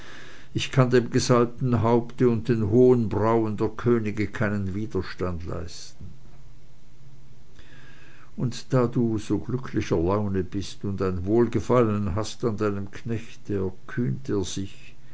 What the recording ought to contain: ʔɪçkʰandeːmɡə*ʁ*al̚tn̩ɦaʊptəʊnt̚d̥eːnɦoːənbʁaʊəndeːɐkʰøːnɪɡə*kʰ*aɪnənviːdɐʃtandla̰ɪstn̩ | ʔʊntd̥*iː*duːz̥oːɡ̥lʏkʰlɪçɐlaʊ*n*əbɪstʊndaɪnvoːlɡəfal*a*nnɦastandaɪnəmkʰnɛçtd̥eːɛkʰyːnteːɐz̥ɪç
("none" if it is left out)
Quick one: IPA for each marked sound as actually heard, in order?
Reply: z, kʰ, aː, n, ə

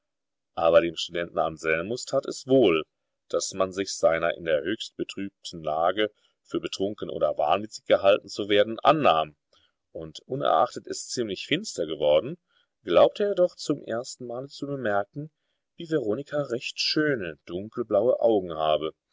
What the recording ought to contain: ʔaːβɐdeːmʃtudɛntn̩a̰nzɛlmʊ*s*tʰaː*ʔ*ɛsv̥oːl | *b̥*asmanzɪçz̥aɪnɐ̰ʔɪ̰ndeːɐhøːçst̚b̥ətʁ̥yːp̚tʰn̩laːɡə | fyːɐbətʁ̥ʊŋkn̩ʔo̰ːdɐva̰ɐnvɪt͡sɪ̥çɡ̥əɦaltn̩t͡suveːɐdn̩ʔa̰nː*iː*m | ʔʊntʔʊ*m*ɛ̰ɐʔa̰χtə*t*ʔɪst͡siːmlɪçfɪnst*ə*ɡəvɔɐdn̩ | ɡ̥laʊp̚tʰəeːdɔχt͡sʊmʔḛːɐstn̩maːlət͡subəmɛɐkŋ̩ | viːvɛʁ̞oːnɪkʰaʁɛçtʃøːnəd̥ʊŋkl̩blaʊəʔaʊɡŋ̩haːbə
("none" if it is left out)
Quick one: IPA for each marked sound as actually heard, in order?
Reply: s, t, d̥, aː, n, t, ɐ

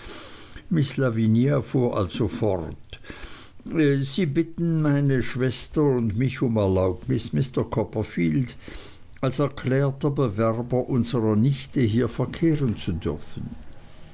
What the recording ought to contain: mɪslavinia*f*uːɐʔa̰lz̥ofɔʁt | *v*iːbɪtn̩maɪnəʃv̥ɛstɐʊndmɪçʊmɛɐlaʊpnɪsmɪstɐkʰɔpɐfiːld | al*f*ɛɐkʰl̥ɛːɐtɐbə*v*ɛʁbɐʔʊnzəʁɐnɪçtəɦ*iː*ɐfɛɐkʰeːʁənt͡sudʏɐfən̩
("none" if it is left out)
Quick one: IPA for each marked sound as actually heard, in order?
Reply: f, z, s, v, iː

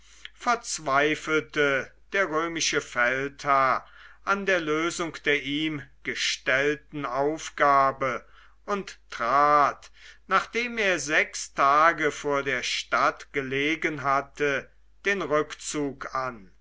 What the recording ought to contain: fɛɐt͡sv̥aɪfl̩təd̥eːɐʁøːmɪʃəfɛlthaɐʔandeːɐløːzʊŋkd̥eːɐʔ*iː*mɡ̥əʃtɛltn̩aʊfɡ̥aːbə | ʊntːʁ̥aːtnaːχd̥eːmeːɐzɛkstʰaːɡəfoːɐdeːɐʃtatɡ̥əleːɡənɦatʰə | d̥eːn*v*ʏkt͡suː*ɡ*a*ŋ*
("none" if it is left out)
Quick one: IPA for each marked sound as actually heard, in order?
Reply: iː, ʁ, k, n

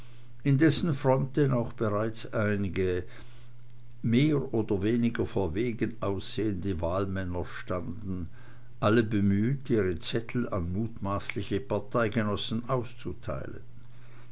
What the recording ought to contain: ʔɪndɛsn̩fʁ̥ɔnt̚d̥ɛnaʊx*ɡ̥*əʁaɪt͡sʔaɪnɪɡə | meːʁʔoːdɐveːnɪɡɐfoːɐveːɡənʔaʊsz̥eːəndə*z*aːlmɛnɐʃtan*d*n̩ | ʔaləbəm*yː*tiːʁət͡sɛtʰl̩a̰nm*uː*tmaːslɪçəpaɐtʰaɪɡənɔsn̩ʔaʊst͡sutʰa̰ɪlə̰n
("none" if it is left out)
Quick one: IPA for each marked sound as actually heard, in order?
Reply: b̥, v, d, yː, uː

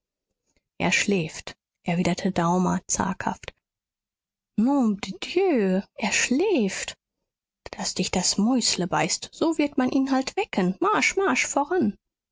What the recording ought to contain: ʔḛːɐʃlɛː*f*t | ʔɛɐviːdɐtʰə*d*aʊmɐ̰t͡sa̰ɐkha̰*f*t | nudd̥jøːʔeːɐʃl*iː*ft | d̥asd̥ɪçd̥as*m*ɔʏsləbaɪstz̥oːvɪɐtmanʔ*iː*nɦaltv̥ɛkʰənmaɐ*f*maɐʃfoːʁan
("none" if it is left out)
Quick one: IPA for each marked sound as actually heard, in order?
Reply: f, d, f, ɛː, m, iː, ʃ

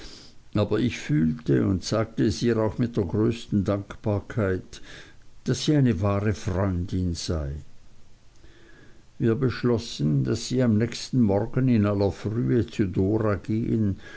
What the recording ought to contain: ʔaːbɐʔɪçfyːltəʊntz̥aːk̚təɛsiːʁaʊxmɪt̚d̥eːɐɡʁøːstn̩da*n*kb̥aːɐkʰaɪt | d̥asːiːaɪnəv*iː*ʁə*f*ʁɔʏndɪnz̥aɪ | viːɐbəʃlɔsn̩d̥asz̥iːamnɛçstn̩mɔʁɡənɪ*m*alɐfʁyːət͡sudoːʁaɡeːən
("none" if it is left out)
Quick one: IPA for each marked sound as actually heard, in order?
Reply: ŋ, aː, f, n

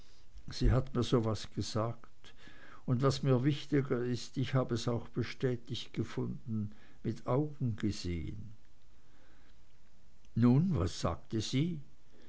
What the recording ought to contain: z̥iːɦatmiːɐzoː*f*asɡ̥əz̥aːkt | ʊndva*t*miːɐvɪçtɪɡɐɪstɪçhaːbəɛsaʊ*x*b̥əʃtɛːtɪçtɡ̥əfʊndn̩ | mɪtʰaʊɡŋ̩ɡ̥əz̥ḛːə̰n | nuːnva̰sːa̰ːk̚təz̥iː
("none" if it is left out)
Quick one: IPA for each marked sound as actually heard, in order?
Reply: v, s, x

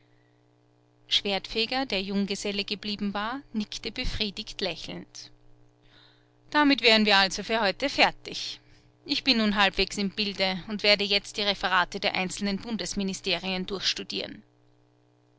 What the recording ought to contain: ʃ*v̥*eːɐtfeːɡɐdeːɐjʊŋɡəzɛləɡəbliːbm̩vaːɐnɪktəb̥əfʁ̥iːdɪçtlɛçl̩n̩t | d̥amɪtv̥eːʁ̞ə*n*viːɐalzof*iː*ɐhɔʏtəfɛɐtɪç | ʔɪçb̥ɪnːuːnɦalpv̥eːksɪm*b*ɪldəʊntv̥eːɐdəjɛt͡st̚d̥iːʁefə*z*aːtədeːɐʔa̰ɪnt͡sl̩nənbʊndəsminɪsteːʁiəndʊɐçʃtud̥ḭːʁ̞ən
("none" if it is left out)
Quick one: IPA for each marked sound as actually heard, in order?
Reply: v̥, n, yː, b, ʁ

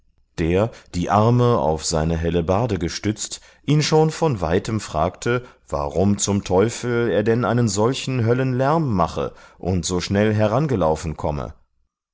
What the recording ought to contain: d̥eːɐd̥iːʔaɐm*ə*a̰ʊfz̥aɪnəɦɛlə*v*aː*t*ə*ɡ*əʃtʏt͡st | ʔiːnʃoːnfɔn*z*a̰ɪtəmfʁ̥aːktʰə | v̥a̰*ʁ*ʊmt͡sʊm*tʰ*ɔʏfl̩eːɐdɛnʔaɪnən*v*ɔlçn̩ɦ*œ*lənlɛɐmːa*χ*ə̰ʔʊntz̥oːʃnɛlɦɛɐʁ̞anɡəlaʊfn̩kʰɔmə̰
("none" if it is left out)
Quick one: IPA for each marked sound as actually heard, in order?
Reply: ə, b, d, ɡ, v, ʁ, tʰ, z, œ, χ

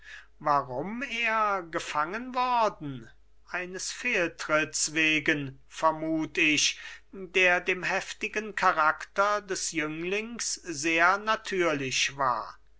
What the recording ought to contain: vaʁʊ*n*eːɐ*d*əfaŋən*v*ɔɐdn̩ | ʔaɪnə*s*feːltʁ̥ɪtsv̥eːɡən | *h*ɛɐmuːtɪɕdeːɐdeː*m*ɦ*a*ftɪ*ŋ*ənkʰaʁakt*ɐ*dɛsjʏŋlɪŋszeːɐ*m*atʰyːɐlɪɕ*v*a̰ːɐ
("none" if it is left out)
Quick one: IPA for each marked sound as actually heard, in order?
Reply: m, ɡ, v, s, f, m, ɛ, ɡ, ɐ, n, v

